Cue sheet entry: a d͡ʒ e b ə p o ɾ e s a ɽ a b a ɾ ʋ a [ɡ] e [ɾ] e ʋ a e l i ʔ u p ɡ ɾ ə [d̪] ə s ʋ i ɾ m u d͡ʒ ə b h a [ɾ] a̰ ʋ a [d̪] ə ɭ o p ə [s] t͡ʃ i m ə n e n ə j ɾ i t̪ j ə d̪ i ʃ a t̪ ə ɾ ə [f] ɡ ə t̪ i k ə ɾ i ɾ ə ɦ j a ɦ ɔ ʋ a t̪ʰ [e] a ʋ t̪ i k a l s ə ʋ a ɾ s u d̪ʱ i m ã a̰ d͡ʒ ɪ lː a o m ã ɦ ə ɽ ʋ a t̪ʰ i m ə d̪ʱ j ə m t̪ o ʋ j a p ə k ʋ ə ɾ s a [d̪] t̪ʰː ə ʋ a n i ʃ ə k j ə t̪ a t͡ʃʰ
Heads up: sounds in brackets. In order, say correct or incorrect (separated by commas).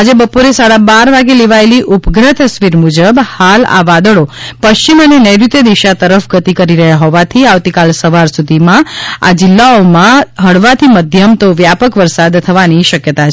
correct, incorrect, incorrect, incorrect, correct, incorrect, correct, incorrect, correct